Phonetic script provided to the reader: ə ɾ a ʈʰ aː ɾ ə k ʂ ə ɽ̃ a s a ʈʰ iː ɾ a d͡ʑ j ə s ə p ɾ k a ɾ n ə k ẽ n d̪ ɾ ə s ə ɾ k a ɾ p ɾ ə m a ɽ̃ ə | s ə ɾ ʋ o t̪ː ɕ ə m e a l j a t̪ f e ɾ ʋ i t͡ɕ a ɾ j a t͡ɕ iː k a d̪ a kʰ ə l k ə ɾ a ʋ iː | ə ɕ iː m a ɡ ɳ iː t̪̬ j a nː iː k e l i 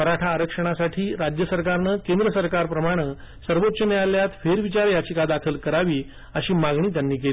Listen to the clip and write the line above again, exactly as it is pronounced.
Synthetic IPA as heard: ə ɾ a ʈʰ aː ɾ ə k ʂ ə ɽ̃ a s a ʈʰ iː ɾ a d͡ʑ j ə s ə ɾ k a ɾ n ə k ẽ n d̪ ɾ ə s ə ɾ k a ɾ p ɾ ə m a ɽ̃ ə | s ə ɾ ʋ o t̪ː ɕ ə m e a l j a t̪ f e ɾ ʋ i t͡ɕ a ɾ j a t͡ɕ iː k a d̪ a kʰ ə l k ə ɾ a ʋ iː | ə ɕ iː m a ɡ ɳ iː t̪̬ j a nː iː k e l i